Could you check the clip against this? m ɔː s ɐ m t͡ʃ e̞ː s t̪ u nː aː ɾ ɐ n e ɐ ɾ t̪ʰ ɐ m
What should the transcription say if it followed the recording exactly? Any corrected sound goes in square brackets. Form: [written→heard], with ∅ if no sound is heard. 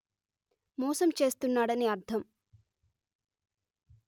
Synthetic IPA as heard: m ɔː s ɐ m t͡ʃ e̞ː s t̪ u nː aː [ɾ→ɽ] ɐ n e ɐ ɾ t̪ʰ ɐ m